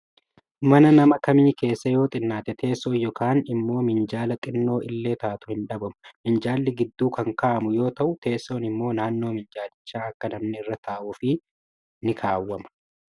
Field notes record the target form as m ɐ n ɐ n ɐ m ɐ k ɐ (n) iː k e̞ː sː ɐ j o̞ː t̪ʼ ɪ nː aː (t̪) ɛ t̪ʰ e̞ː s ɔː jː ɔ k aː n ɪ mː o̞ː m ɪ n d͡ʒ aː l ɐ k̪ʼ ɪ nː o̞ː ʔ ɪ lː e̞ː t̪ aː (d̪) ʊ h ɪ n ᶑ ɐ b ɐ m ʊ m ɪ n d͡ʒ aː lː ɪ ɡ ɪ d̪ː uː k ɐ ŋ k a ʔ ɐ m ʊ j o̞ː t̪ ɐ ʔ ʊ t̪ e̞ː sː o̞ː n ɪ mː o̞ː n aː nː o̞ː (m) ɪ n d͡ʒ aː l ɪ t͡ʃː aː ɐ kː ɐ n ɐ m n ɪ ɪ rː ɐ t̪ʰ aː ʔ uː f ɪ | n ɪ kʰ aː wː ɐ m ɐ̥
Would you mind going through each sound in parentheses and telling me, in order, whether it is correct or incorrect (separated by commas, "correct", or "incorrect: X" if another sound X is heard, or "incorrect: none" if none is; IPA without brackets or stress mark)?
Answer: incorrect: m, correct, incorrect: t̪, correct